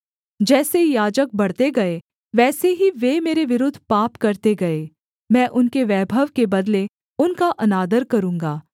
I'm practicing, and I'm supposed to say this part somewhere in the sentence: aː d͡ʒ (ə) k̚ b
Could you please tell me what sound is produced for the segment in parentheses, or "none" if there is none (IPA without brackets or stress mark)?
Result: ə